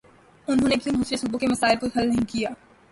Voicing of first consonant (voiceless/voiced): voiced